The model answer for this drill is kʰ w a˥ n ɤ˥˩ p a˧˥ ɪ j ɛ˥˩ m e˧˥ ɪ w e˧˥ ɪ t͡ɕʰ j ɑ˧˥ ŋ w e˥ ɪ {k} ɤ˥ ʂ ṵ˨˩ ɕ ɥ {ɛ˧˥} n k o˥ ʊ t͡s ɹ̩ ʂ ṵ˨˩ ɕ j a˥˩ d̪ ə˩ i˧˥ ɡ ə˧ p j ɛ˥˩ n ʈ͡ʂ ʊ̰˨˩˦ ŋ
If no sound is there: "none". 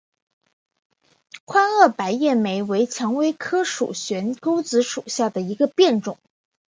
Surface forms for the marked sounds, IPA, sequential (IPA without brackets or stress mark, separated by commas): kʰ, ɛ˧˥